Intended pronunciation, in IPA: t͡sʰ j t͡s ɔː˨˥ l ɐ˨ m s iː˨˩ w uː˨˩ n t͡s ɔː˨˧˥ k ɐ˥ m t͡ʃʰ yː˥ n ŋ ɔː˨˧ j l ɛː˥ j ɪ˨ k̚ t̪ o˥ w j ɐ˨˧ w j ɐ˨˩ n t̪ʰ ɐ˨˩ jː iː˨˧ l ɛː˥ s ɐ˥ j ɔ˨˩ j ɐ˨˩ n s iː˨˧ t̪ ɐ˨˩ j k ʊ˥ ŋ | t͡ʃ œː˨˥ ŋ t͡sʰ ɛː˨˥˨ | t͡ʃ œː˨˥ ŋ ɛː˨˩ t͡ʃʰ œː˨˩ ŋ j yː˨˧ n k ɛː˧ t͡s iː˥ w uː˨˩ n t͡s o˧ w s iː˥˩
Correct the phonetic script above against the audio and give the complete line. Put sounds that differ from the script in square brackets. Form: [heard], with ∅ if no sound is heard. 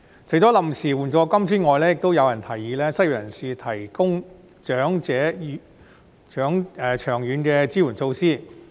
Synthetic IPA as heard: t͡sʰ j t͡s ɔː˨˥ l ɐ˨ m s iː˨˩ w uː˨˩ n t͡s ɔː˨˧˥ k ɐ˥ m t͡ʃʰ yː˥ n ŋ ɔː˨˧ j l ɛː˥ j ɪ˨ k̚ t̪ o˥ w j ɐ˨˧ w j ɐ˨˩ n t̪ʰ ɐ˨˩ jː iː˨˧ l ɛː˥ s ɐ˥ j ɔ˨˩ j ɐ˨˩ n s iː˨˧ [t̪ʰ] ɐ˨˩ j k ʊ˥ ŋ | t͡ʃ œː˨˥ ŋ [t͡s] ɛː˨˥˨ | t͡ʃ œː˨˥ ŋ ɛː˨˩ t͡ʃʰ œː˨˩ ŋ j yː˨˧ n k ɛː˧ t͡s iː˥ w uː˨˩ n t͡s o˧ w s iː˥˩